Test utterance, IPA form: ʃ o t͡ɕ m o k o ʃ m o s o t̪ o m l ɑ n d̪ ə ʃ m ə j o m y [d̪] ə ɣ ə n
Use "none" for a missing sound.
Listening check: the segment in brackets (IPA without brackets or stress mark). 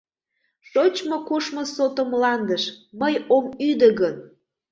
d̪